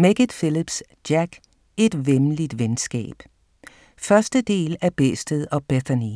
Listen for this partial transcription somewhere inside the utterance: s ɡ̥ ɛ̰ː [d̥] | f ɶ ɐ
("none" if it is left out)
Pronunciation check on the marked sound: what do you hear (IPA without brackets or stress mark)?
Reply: b̥